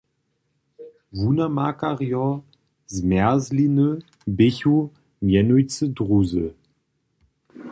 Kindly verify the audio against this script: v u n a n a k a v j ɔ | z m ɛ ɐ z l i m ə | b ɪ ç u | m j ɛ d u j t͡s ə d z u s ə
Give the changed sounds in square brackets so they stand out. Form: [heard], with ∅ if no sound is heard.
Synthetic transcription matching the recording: v u n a [m] a k a [ʁ] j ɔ | z m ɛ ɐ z l i [n] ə | b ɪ ç u | m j ɛ [n] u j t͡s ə d [ʁ] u [z] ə